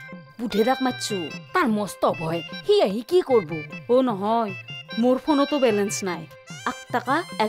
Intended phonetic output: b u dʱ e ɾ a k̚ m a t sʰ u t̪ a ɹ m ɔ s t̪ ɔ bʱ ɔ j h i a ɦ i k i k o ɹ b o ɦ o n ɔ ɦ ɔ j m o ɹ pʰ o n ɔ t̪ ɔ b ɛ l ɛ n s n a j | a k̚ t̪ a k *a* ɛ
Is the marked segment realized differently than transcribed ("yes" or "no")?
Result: no